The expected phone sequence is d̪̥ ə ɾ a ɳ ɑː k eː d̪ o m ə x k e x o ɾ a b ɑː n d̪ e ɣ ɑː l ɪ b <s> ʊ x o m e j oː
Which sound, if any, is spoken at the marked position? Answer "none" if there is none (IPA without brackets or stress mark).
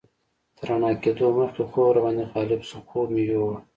s